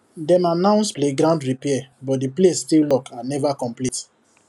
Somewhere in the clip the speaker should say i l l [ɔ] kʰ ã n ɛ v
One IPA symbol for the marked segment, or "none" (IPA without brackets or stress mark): ɔ